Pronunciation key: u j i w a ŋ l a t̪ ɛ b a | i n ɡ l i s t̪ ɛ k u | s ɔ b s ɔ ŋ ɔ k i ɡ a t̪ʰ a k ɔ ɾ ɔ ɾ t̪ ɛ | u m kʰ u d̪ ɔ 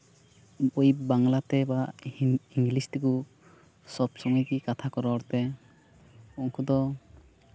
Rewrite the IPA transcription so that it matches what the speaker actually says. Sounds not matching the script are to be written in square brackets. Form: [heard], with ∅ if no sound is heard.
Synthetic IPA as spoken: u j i [b] a ŋ l a t̪ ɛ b a | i [ŋ] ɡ l i s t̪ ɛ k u | s ɔ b s ɔ ŋ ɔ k i [k] a t̪ʰ a k ɔ ɾ ɔ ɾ t̪ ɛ | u [ŋ] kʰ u d̪ ɔ